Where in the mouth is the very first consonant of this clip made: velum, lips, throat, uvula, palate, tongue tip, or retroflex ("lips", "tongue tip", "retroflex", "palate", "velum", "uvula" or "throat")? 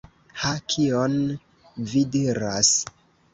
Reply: throat